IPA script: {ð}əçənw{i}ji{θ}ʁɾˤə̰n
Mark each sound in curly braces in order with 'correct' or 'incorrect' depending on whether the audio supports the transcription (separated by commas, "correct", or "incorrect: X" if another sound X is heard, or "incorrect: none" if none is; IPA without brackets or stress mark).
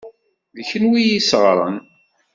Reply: correct, correct, incorrect: s